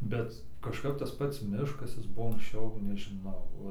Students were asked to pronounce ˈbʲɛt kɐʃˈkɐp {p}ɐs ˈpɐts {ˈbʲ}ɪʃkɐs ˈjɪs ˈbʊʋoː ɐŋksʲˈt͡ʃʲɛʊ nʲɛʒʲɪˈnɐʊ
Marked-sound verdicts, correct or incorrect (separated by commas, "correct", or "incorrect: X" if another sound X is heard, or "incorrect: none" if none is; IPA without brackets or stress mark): incorrect: t, incorrect: mʲ